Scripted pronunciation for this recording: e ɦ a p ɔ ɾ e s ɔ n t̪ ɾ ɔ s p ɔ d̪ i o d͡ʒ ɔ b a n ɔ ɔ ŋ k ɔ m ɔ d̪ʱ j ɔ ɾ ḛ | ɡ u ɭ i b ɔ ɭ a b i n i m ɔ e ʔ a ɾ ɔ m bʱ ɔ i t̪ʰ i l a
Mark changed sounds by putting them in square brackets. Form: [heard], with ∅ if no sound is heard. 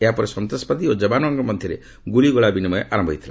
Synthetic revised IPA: e ɦ a p ɔ ɾ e s ɔ n t̪ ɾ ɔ s p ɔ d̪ i o d͡ʒ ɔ b a n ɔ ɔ ŋ k ɔ m ɔ d̪ʱ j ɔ ɾ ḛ | ɡ u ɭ i [ɡ] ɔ ɭ a b i n i m ɔ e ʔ a ɾ ɔ m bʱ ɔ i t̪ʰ i l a